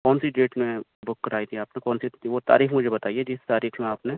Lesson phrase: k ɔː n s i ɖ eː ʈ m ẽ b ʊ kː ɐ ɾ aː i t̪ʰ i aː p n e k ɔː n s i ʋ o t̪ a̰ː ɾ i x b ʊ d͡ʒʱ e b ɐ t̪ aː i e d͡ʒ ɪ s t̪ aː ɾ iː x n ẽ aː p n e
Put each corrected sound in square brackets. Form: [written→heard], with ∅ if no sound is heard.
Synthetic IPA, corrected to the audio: k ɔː n s i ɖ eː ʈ m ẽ b ʊ kː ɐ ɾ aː i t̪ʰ i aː p n e k ɔː n s i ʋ o t̪ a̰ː ɾ [i→iː] x [b→m] ʊ d͡ʒʱ e b ɐ t̪ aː i e d͡ʒ ɪ s t̪ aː ɾ iː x [n→m] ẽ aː p n e

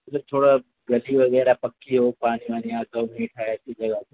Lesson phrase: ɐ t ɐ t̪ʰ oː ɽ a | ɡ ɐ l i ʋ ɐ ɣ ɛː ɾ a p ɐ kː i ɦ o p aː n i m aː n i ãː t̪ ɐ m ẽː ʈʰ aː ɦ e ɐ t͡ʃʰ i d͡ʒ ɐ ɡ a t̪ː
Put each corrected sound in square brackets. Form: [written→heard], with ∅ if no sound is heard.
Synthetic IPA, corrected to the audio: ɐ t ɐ t̪ʰ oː ɽ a | ɡ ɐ l i ʋ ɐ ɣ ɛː ɾ a p ɐ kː i ɦ o p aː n i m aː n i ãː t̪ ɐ m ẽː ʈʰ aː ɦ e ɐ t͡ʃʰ i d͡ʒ ɐ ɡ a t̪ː

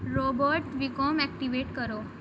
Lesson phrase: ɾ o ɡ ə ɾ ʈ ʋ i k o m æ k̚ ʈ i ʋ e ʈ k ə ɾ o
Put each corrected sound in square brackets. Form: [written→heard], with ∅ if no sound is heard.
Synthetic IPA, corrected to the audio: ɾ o [ɡ→b] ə ɾ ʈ ʋ i k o m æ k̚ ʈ i ʋ e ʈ k ə ɾ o

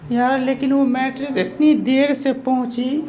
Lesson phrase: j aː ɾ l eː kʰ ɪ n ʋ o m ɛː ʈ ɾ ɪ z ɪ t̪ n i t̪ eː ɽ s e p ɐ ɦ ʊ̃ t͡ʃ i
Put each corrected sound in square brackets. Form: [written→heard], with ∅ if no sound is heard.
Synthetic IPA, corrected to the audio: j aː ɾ l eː [kʰ→k] ɪ n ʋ o m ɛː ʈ ɾ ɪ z ɪ t̪ n i [t̪→d̪] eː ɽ s e p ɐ ɦ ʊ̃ t͡ʃ i

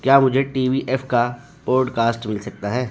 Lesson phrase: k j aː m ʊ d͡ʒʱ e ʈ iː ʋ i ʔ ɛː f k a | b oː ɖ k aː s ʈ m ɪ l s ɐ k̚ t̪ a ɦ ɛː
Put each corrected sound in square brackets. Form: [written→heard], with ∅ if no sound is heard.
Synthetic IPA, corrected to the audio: k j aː m ʊ d͡ʒʱ e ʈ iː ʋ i ʔ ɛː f k a | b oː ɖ k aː s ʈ m ɪ l s ɐ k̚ t̪ a ɦ ɛː

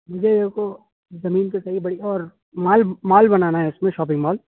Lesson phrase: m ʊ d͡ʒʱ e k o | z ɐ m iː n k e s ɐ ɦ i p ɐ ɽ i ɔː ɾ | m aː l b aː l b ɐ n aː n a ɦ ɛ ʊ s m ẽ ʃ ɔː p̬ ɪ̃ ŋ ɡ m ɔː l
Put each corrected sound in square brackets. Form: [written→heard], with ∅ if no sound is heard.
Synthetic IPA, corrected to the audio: m ʊ d͡ʒʱ e k o | z ɐ m iː n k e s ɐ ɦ i [p→b] ɐ ɽ i ɔː ɾ | m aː l [b→m] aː l b ɐ n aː n a ɦ ɛ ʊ s m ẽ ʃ ɔː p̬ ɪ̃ ŋ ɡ m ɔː l

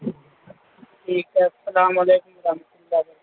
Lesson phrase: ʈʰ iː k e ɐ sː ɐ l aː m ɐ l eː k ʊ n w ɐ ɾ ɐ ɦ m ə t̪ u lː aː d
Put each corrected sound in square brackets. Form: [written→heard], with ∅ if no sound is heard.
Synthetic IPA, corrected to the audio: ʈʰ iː k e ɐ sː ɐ l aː m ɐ l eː k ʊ [n→m] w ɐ ɾ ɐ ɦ m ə t̪ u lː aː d

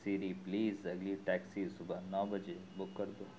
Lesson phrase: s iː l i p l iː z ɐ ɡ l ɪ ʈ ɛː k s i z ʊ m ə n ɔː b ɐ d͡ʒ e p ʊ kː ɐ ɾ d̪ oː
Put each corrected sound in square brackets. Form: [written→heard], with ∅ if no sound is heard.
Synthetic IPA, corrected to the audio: s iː [l→ɾ] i p l iː z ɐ ɡ l [ɪ→i] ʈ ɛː k s i [z→s] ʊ [m→b] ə n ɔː b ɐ d͡ʒ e [p→b] ʊ kː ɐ ɾ d̪ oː

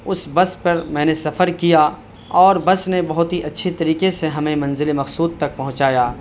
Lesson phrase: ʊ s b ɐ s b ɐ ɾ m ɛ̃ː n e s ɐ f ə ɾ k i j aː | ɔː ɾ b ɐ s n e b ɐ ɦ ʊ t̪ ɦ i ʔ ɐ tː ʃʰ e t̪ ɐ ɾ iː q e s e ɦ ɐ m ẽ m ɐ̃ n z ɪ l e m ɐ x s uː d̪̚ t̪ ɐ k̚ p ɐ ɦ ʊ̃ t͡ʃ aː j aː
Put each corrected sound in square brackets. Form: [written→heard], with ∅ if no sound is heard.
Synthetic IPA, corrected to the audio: ʊ s b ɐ s [b→p] ɐ ɾ m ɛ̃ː n e s ɐ f ə ɾ k i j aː | ɔː ɾ b ɐ s n e b ɐ ɦ ʊ t̪ ɦ i ʔ ɐ tː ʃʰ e t̪ ɐ ɾ iː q e s e ɦ ɐ m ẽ m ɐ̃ n z ɪ l e m ɐ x s uː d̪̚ t̪ ɐ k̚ p ɐ ɦ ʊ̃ t͡ʃ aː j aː

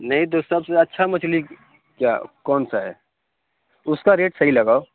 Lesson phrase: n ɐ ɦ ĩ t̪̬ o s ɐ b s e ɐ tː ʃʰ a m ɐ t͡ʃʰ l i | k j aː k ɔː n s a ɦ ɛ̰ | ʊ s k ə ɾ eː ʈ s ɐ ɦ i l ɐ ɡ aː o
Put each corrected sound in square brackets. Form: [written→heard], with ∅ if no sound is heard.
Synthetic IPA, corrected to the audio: n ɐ ɦ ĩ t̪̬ o s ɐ b s e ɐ tː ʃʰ a m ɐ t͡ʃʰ l i | k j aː k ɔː n s a ɦ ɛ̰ | ʊ s k [ə→a] ɾ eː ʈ s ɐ ɦ i l ɐ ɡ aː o

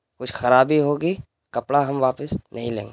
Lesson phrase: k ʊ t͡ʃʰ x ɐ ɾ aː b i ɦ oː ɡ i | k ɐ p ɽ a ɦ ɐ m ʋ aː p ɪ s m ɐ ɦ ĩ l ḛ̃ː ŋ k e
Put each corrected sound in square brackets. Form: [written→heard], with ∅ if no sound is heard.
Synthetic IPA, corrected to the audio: k ʊ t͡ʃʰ x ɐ ɾ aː b i ɦ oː ɡ i | k ɐ p ɽ a ɦ ɐ m ʋ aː p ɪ s [m→n] ɐ ɦ ĩ l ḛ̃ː ŋ [k→ɡ] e

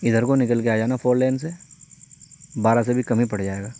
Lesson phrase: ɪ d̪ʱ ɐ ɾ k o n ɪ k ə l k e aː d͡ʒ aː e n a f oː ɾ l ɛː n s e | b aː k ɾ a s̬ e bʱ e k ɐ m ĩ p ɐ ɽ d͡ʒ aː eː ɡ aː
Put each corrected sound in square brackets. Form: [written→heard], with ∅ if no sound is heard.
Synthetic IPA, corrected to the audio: ɪ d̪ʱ [ɐ→ə] ɾ k o n ɪ k ə l k e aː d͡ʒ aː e n a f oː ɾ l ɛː n s e | b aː [k→∅] ɾ a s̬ e bʱ [e→i] k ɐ m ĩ p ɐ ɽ d͡ʒ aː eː ɡ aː

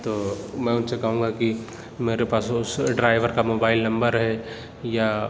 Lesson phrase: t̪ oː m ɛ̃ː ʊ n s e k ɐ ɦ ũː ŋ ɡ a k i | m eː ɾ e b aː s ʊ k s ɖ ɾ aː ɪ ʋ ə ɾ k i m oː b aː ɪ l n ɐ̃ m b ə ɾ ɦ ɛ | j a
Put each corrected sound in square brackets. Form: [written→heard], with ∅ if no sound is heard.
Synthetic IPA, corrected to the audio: t̪ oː m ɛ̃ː ʊ n s e k ɐ ɦ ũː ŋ ɡ a k i | m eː ɾ e [b→p] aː s ʊ [k→∅] s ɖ ɾ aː ɪ ʋ ə ɾ k [i→a] m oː b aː ɪ l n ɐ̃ m b ə ɾ ɦ ɛ | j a

